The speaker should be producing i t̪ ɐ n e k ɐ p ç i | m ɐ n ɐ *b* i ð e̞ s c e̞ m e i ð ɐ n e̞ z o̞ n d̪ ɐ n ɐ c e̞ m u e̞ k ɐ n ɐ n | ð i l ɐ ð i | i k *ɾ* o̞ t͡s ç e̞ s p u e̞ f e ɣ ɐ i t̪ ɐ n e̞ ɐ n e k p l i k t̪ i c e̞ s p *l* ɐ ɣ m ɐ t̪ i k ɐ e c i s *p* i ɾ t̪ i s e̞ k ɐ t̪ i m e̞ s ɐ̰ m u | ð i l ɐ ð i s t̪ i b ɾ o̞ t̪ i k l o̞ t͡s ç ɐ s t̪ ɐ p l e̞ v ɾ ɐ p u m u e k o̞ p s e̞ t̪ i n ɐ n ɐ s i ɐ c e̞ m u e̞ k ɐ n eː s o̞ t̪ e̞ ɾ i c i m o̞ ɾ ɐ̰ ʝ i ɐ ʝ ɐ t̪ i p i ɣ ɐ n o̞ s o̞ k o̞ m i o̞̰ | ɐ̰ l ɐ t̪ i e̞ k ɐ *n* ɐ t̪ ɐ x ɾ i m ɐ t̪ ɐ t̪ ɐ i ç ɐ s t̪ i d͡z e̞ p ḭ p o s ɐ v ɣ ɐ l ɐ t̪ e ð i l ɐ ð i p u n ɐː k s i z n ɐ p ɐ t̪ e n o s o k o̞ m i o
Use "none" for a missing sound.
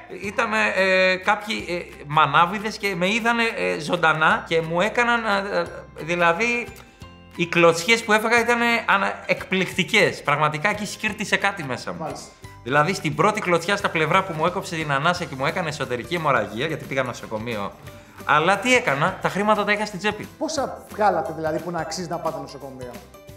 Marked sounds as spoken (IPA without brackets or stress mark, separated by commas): v, l, ɾ, c, n